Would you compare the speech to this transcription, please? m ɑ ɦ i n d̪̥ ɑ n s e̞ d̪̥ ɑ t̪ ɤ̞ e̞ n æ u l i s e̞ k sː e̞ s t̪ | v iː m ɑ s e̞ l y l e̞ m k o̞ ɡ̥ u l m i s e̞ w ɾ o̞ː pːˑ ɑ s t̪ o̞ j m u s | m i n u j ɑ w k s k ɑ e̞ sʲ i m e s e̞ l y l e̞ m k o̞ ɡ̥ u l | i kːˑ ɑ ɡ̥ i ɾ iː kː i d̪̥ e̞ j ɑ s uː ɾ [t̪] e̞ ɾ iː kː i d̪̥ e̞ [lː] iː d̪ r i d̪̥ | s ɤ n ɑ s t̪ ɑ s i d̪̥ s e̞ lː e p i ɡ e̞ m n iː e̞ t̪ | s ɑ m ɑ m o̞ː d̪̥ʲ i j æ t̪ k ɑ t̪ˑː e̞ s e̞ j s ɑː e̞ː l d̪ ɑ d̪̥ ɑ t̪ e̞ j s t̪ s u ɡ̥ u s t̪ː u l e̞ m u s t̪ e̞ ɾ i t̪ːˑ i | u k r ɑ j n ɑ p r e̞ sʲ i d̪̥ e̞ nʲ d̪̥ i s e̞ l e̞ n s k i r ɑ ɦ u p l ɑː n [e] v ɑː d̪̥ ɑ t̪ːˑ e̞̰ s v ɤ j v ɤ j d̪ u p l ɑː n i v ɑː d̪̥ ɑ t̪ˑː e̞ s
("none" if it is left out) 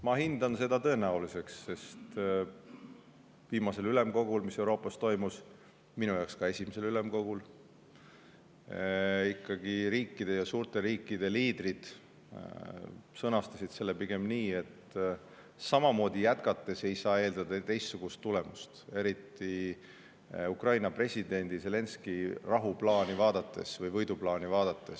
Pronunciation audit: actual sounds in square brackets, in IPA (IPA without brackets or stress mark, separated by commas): t̪, l, i